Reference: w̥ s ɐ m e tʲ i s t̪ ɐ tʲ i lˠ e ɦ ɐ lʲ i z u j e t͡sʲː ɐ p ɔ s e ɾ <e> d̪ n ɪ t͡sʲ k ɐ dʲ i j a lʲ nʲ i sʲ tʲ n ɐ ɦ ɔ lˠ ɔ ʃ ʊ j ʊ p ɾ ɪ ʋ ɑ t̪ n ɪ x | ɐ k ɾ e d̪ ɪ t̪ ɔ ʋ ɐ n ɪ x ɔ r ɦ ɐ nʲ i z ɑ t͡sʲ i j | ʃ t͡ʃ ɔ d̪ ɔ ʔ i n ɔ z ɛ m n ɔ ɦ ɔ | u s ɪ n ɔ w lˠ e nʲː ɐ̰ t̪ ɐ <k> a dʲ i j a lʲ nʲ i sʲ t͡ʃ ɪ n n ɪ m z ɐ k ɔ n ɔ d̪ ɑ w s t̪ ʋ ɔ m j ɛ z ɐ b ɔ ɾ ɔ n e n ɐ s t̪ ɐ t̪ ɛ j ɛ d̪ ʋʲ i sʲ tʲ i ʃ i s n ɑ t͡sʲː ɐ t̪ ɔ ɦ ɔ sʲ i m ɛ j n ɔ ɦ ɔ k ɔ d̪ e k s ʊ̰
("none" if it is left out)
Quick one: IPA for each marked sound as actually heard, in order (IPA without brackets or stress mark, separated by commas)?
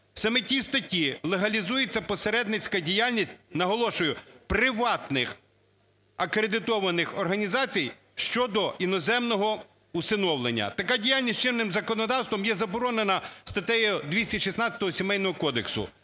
ɛ, k